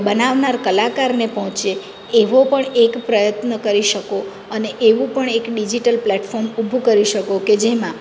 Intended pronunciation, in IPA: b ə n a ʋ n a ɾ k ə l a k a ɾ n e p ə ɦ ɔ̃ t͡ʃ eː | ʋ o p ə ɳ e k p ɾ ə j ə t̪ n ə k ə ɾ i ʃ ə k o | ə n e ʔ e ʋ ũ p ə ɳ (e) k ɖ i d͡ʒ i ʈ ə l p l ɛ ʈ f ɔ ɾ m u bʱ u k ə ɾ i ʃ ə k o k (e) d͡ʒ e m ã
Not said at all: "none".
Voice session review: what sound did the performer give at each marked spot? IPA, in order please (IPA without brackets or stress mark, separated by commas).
e, e